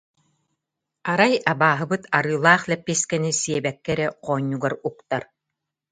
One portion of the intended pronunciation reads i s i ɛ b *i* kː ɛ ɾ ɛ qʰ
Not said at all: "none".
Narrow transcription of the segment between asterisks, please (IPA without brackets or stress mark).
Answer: ɛ